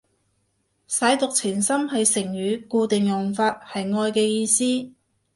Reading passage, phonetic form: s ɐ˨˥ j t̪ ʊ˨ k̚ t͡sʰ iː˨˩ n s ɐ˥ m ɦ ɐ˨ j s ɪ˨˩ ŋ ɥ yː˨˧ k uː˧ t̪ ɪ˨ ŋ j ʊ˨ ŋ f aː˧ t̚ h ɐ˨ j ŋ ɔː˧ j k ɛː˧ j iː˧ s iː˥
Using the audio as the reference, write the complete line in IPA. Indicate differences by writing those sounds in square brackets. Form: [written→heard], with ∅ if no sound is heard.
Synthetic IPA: s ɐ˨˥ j t̪ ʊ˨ k̚ t͡sʰ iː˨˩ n s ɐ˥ m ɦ ɐ˨ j s ɪ˨˩ ŋ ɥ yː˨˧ k uː˧ t̪ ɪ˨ ŋ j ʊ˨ ŋ f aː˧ t̚ h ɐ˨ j ŋ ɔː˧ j k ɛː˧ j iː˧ s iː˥